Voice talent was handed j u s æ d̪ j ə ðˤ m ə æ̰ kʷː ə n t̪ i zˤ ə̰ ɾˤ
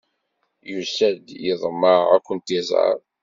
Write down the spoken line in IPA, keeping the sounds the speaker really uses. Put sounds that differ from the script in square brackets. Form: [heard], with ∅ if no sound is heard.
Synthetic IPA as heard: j u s æ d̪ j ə ðˤ m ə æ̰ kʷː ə n t̪ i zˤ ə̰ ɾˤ